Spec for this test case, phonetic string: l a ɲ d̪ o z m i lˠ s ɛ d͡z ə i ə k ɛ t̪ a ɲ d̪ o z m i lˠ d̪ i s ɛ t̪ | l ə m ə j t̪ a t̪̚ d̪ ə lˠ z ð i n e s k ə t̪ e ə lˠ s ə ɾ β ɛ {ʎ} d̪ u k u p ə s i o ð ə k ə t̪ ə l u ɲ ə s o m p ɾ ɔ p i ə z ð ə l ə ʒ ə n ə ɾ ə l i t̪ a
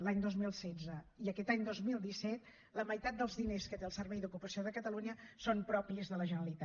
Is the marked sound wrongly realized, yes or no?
yes